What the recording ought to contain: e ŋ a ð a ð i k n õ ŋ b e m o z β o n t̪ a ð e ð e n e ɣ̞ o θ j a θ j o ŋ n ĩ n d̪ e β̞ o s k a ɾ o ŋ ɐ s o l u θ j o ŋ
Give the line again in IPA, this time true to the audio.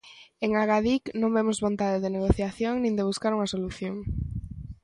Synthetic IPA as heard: e ŋ a ɣ a ð i k n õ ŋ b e m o z β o n t̪ a ð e ð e n e ɣ̞ o θ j a θ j o ŋ n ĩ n d̪ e β̞ u s k a ɾ u ŋ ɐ s o l u θ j o ŋ